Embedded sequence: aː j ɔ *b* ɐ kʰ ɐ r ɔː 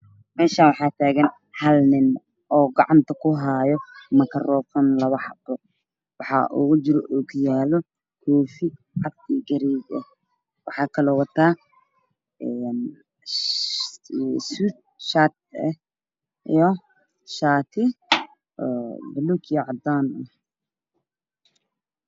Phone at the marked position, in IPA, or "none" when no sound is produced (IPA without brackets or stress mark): m